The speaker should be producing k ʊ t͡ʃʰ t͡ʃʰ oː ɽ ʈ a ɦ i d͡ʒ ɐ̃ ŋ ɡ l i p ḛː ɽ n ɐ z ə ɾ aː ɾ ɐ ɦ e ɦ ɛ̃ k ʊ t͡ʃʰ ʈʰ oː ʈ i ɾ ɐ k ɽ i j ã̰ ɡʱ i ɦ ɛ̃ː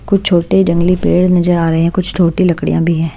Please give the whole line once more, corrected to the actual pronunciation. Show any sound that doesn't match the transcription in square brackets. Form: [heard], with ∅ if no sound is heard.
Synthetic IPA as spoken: k ʊ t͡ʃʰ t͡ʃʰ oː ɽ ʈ [e] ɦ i d͡ʒ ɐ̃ ŋ ɡ l i p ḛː ɽ n ɐ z ə ɾ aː ɾ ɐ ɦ e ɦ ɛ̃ k ʊ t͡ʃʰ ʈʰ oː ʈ i [l] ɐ k ɽ i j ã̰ [bʱ] i ɦ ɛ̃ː

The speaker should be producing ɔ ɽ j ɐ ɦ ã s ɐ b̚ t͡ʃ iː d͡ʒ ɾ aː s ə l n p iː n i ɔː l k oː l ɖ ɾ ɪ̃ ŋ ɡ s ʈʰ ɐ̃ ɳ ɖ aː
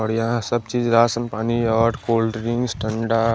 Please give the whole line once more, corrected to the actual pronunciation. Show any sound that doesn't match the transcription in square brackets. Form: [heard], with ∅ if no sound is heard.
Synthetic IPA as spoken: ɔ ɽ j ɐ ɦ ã s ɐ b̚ t͡ʃ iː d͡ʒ ɾ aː s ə [∅] n p [aː] n i ɔː [ɾ] k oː l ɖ ɾ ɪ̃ ŋ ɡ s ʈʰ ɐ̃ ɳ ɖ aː

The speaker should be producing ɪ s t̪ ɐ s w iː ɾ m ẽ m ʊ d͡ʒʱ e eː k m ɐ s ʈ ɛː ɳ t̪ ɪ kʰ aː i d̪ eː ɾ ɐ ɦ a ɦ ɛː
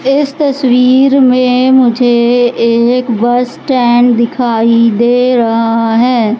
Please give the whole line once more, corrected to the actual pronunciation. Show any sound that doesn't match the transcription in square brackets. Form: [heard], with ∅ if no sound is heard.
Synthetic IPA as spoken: ɪ s t̪ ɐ s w iː ɾ m ẽ m ʊ d͡ʒʱ e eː k [b] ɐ s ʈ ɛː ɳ [d̪] ɪ kʰ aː i d̪ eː ɾ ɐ ɦ a ɦ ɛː

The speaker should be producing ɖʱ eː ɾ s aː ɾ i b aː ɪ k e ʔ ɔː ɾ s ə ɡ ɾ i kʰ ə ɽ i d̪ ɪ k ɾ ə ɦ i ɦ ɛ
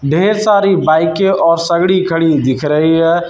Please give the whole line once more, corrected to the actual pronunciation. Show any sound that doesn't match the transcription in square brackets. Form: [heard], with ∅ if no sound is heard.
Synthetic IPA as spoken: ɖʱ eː ɾ s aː ɾ i b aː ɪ k e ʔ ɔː ɾ s ə ɡ [ɽ] i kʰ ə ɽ i d̪ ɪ [kʰ] ɾ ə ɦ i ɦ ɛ

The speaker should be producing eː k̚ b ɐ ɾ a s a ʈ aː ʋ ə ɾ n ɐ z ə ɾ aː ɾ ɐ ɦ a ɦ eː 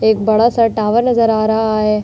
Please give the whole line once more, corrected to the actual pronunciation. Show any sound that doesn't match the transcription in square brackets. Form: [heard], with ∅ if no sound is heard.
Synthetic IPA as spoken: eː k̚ b ɐ [ɽ] a s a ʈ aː ʋ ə ɾ n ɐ z ə ɾ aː ɾ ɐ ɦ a ɦ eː

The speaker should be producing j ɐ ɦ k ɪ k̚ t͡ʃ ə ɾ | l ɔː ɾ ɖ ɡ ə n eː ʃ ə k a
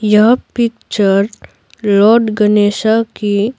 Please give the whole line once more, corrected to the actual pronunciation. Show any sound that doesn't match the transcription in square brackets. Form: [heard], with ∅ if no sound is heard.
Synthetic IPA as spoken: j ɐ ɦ [p] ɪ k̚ t͡ʃ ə ɾ | l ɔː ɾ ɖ ɡ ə n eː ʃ [a] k [i]

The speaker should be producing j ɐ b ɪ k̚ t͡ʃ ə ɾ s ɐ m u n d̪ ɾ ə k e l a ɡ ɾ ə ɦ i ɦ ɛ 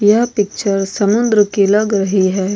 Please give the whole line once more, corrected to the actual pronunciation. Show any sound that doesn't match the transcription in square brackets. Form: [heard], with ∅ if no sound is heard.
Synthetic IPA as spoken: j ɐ [p] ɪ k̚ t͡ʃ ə ɾ s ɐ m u n d̪ ɾ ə k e l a ɡ ɾ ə ɦ i ɦ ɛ

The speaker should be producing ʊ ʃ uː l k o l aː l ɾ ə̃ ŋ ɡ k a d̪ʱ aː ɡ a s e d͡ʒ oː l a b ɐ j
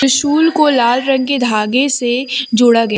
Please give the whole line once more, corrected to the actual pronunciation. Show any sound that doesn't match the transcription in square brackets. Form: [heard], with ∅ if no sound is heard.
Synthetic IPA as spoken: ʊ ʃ uː l k o l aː l ɾ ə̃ ŋ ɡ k [e] d̪ʱ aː ɡ [e] s e d͡ʒ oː [ɽ] a [ɡ] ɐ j

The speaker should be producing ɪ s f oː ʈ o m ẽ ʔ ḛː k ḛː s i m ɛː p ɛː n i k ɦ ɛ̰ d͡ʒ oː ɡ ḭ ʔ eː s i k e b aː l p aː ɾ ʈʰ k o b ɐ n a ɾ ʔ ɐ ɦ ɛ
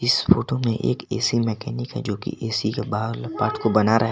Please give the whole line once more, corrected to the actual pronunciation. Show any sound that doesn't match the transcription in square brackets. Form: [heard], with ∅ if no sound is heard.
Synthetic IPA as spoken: ɪ s f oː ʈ o m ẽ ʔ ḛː k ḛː s i m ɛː [k] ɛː n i k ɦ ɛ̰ d͡ʒ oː [k] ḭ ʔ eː s i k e b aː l p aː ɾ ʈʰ k o b ɐ n a ɾ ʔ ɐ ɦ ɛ

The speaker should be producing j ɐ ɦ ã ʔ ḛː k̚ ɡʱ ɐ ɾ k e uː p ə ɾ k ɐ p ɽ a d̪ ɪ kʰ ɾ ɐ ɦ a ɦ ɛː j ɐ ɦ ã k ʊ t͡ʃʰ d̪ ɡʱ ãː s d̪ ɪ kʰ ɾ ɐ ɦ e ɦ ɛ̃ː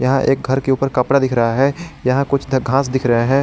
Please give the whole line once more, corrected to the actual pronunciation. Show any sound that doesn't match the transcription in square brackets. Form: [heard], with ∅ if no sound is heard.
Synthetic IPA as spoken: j ɐ ɦ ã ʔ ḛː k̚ ɡʱ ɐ ɾ k e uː p ə ɾ k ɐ p ɽ a d̪ ɪ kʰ ɾ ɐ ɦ a ɦ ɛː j ɐ ɦ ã k ʊ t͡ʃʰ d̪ ɡʱ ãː s d̪ ɪ kʰ ɾ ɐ ɦ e ɦ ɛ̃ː

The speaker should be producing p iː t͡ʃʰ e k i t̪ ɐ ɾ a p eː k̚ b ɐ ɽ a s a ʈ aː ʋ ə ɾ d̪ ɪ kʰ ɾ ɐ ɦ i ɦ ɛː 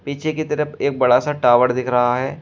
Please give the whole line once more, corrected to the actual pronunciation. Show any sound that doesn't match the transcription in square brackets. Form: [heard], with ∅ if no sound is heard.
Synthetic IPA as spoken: p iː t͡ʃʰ e k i t̪ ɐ ɾ [ə] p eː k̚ b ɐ ɽ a s a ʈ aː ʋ ə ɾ d̪ ɪ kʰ ɾ ɐ ɦ [a] ɦ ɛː

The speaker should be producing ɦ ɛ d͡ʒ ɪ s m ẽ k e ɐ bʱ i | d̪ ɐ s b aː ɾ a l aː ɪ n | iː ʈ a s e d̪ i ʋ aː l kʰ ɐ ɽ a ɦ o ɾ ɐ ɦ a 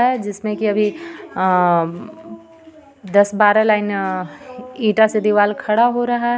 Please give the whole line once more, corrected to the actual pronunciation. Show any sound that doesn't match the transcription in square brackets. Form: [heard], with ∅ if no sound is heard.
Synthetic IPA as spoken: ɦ ɛ d͡ʒ ɪ s m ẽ k [i] ɐ bʱ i | d̪ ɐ s b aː ɾ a l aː ɪ n | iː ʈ a s e d̪ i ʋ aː l kʰ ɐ ɽ a ɦ o ɾ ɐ ɦ a

